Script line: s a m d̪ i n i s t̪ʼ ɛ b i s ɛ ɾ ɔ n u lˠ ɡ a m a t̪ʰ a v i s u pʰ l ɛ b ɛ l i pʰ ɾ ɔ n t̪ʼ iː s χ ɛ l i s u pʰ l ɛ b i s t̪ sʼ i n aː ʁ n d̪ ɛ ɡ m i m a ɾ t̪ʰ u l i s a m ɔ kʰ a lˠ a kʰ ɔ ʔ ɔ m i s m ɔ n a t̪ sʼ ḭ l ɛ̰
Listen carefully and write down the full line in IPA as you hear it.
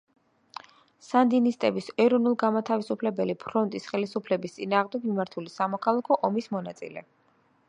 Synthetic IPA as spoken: s a n d̪ i n i s t̪ʼ ɛ b i s ɛ ɾ ɔ n u lˠ ɡ a m a t̪ʰ a v i s u pʰ l ɛ b ɛ l i pʰ ɾ ɔ n t̪ʼ i s χ ɛ l i s u pʰ l ɛ b i s t̪ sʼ i n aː ʁ m d̪ ɛ ɡ m i m a ɾ t̪ʰ u l i s a m ɔ kʰ a lˠ a kʰ ɔ ʔ ɔ m i s m ɔ n a t̪ sʼ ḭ l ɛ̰